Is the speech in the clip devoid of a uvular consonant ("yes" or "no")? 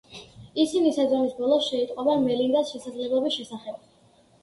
no